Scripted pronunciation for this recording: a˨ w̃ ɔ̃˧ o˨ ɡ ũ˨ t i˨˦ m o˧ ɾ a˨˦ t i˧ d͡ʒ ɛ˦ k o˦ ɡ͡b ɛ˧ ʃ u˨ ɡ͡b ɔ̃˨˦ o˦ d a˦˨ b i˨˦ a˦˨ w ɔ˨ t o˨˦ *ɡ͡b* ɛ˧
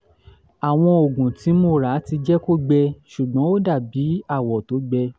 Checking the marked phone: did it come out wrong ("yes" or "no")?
no